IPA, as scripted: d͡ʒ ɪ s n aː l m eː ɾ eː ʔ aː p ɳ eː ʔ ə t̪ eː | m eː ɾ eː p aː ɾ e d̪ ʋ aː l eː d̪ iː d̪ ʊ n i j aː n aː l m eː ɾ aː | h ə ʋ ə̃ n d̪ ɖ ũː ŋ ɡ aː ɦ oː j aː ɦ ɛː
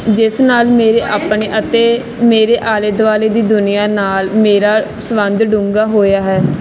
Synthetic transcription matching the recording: d͡ʒ ɪ s n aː l m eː ɾ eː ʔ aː p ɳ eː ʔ ə t̪ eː | m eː ɾ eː ʔ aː l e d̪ ʋ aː l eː d̪ iː d̪ ʊ n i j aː n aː l m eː ɾ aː | s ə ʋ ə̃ n d̪ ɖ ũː ŋ ɡ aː ɦ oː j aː ɦ ɛː